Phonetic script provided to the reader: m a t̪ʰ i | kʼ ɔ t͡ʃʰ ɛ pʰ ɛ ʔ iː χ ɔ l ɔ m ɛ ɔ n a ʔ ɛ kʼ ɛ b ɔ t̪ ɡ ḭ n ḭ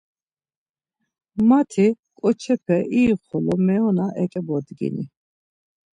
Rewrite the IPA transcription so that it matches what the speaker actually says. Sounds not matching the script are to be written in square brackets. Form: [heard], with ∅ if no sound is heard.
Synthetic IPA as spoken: m a t̪ʰ i | kʼ ɔ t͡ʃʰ ɛ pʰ ɛ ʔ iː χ ɔ l ɔ m ɛ ɔ n a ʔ ɛ kʼ ɛ b ɔ [d̪] ɡ ḭ n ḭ